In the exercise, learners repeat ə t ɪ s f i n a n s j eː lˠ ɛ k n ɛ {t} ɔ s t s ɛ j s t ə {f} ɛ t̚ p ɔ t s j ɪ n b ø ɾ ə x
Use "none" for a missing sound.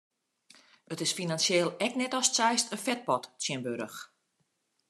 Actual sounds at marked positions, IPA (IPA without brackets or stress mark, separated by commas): t, f